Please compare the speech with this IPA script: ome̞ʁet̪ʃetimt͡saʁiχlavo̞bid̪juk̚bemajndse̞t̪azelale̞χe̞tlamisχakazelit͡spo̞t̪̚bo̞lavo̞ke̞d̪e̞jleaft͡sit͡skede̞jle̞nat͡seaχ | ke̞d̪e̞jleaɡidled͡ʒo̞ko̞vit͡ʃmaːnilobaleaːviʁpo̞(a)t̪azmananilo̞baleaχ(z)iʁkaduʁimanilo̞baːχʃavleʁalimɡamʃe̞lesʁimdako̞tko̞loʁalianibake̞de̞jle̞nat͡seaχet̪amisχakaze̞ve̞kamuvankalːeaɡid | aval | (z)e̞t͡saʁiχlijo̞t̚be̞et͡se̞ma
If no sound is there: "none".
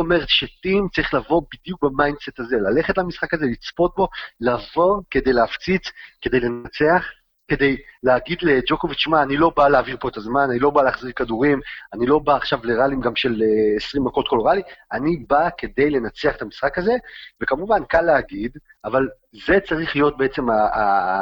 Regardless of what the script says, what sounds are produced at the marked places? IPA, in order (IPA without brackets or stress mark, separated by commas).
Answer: e, z, z